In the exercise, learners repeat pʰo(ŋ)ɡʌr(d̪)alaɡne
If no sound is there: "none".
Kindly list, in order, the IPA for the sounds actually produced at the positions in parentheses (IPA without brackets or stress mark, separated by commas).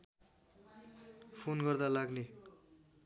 n, d̪